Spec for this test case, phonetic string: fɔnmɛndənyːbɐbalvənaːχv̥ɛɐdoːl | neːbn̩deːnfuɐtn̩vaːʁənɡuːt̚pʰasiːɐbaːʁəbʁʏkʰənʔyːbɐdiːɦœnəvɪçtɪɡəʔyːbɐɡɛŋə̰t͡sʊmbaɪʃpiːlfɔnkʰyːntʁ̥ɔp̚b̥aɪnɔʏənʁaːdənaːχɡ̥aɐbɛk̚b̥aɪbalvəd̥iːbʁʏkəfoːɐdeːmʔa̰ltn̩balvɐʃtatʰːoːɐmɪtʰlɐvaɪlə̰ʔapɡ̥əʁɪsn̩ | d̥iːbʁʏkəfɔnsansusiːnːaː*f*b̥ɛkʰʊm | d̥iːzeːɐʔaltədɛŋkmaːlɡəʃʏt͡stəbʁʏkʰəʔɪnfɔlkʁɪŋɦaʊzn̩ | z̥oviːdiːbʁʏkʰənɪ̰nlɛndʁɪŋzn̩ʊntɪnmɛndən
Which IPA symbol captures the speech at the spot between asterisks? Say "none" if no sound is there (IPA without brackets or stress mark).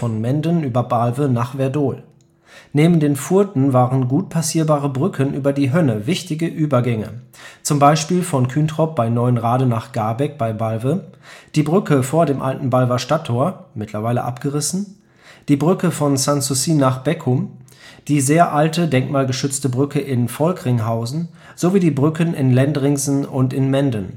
χ